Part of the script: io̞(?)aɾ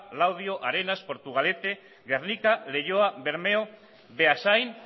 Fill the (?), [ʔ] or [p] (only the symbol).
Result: ʔ